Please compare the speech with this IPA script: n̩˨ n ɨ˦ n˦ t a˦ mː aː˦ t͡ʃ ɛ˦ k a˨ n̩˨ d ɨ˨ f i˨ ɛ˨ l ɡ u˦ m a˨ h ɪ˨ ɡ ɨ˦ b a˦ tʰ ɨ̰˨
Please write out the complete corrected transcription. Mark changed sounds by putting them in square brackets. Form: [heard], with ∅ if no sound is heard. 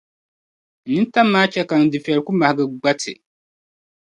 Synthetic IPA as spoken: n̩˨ n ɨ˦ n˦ t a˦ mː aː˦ t͡ʃ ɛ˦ k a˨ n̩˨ d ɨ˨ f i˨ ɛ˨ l [k] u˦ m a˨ h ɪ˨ ɡ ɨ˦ [ɡ͡b] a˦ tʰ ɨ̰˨